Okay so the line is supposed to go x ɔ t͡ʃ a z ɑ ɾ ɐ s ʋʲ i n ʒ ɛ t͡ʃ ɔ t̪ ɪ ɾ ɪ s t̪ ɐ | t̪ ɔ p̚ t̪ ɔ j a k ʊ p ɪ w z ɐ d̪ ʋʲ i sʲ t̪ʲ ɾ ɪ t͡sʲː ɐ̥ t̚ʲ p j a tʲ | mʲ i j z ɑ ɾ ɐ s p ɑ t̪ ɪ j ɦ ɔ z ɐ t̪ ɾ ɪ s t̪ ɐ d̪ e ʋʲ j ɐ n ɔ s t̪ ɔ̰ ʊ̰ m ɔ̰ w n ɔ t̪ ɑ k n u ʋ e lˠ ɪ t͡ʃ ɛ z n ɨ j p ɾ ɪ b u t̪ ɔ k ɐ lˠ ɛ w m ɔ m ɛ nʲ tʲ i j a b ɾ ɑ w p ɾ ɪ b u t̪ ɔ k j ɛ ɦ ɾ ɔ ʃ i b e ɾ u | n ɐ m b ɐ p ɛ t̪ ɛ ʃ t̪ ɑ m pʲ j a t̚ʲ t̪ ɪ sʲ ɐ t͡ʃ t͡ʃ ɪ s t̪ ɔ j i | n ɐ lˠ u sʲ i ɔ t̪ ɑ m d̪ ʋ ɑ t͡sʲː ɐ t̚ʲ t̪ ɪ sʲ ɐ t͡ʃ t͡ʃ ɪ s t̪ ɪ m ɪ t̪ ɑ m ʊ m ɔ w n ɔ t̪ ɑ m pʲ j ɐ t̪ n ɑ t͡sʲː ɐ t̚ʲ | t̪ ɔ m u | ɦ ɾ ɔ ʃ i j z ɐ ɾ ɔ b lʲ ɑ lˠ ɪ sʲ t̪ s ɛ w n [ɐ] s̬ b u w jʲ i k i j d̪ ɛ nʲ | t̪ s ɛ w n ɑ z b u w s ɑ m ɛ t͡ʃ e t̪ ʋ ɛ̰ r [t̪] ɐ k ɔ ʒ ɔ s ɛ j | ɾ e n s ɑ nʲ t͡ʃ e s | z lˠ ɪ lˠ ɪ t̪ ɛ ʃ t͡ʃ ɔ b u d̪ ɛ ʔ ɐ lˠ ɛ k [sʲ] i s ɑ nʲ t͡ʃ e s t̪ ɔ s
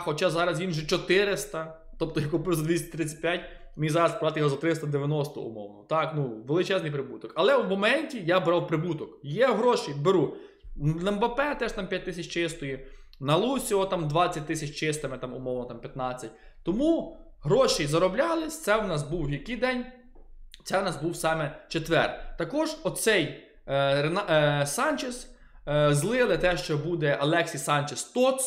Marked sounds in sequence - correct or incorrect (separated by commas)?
incorrect, correct, correct